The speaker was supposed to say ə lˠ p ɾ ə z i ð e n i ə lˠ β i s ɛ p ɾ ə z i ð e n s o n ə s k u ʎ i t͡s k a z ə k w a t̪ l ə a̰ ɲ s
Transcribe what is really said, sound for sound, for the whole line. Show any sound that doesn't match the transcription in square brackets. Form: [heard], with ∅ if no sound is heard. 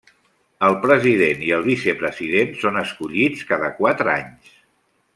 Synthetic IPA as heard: ə lˠ p ɾ ə z i ð e n i ə lˠ β i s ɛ p ɾ ə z i ð e n s o n ə s k u ʎ i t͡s k a [ð] ə k w a t̪ [ɾ] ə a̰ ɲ s

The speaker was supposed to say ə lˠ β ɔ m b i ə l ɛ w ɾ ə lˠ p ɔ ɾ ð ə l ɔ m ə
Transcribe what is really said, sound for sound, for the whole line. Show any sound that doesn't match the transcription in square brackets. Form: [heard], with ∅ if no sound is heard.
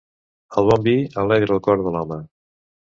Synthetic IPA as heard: ə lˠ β ɔ m b i ə l ɛ [ɣ] ɾ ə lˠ [k] ɔ ɾ ð ə l ɔ m ə

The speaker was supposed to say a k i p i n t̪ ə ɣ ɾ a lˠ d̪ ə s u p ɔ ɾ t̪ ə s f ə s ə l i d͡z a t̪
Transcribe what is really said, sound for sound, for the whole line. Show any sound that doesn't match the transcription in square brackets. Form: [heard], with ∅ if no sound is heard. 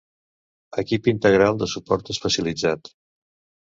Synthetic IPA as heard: [ə] k i p i n t̪ ə ɣ ɾ a lˠ d̪ ə s u p ɔ ɾ t̪ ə s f ə s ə l i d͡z a t̪

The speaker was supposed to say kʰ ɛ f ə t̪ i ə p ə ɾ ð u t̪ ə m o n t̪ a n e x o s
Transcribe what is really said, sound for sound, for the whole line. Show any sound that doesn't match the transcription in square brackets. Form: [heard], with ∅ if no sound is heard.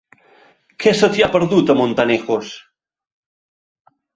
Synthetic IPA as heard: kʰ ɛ [s] ə t̪ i [a] p ə ɾ ð u t̪ ə m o n t̪ a n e x o s

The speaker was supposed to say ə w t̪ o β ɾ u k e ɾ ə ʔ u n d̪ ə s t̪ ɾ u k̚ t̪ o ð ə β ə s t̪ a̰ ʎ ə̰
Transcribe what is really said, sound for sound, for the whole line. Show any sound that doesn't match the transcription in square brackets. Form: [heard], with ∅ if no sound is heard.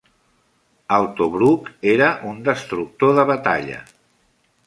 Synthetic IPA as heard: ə w t̪ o β ɾ u k e ɾ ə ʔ u n d̪ ə s t̪ ɾ u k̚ t̪ o ð ə β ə [∅] t̪ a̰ ʎ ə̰

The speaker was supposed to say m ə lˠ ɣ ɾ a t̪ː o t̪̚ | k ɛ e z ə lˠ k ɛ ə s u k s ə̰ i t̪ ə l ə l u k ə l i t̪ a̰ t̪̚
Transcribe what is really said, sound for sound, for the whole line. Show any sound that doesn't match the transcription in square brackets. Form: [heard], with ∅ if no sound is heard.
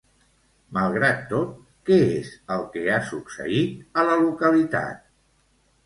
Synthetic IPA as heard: m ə lˠ ɣ ɾ a t̪ː o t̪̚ | k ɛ e z ə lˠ k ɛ [a] s u k s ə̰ i t̪ ə l ə l u k ə l i t̪ a̰ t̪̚

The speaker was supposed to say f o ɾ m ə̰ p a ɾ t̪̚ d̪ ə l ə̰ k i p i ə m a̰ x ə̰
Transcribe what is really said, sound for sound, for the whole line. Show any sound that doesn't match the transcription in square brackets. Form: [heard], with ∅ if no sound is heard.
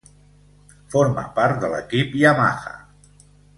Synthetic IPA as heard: f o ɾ m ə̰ p a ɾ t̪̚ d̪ ə l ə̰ k i p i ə m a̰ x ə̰

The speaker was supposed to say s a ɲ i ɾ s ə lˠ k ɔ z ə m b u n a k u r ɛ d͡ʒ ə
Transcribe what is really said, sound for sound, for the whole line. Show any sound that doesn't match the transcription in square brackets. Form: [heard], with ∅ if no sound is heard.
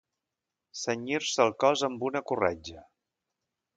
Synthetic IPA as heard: s [ə] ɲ i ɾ s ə lˠ k ɔ z ə m b u n [ə] k u r ɛ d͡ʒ ə

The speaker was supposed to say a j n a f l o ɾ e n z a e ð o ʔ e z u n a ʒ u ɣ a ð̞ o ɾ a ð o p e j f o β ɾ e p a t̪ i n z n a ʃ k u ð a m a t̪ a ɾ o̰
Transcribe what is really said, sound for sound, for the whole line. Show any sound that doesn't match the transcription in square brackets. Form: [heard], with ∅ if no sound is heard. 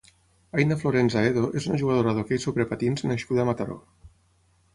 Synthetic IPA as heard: a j n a f l o ɾ e n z a e ð o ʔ e z u n a ʒ u ɣ a ð̞ o ɾ a ð o [k] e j [s] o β ɾ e p a t̪ i n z n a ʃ k u ð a m a t̪ a ɾ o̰

